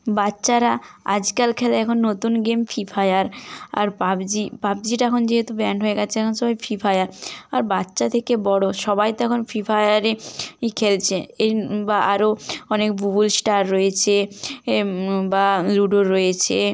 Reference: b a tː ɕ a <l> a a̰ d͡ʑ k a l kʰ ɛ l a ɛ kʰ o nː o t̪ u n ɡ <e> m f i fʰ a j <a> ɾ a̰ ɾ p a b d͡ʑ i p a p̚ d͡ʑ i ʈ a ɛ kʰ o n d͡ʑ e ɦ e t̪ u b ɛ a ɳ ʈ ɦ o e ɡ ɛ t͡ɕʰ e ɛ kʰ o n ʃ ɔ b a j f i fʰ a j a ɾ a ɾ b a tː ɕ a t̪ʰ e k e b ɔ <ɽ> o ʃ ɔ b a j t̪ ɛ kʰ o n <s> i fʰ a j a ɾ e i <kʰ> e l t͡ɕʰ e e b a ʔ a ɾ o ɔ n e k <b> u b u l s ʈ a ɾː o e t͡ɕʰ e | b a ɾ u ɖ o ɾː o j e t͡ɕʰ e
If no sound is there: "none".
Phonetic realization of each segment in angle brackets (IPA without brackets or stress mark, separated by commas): ɾ, e, a, ɽ, f, kʰ, b